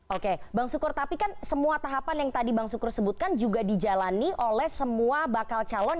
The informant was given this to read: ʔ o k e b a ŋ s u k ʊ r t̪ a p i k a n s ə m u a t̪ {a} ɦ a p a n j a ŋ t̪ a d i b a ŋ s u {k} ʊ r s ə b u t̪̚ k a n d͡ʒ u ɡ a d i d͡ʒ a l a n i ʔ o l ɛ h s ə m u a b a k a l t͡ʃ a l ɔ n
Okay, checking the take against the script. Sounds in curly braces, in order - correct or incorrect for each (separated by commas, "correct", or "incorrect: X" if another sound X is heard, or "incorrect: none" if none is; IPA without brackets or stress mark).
correct, correct